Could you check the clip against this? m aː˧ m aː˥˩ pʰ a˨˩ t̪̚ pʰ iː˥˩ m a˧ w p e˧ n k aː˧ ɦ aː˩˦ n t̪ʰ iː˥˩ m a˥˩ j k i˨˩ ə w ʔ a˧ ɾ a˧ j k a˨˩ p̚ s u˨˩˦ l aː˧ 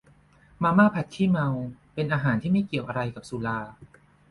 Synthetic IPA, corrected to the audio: m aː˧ m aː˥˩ pʰ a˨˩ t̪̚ kʰ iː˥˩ m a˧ w p e˧ n ʔ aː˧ ɦ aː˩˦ n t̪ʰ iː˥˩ m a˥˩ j k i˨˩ ə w ʔ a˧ ɾ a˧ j k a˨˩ p̚ s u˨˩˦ l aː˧